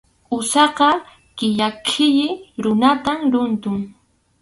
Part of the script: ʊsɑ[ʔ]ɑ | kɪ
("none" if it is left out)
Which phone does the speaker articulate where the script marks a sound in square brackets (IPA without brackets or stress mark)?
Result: q